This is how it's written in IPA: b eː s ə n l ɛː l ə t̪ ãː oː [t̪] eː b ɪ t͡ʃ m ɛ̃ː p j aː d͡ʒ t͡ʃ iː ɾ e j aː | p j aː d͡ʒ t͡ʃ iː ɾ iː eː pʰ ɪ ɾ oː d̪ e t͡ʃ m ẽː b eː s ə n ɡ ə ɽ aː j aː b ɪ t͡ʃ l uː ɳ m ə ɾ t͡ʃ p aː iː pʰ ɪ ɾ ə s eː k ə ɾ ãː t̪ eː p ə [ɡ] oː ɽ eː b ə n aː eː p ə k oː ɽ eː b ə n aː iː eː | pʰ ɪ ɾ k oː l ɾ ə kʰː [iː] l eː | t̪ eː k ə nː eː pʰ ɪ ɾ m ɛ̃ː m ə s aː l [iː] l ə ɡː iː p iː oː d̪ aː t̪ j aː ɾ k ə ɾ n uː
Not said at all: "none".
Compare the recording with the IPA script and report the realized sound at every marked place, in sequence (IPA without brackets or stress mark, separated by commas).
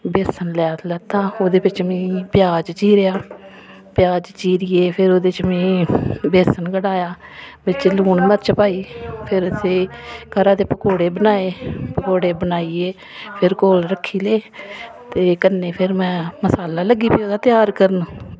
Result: d̪, k, iː, aː